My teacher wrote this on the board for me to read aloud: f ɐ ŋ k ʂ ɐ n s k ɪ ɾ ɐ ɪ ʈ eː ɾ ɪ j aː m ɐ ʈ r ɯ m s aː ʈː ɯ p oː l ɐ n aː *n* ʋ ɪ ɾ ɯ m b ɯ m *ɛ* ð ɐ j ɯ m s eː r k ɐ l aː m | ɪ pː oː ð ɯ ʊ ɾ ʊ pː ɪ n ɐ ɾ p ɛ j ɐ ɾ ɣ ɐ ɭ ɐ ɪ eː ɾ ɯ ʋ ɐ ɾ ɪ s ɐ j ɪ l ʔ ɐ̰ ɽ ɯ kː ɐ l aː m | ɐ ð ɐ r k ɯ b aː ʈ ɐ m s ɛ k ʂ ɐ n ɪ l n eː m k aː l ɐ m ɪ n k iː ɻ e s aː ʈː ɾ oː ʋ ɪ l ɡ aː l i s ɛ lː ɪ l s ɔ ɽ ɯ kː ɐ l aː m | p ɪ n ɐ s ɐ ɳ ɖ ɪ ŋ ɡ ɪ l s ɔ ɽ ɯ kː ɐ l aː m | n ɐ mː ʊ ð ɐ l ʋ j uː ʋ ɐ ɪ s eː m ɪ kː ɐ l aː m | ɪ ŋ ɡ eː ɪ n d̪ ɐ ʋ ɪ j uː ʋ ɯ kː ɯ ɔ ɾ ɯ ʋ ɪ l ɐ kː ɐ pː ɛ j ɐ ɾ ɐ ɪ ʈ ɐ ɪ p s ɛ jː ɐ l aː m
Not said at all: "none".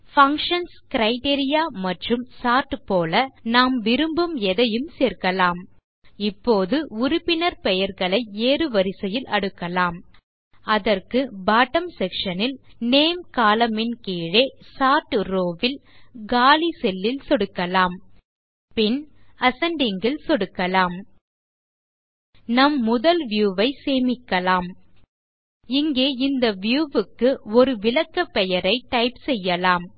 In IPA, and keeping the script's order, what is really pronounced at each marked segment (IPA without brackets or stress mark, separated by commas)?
m, ɛ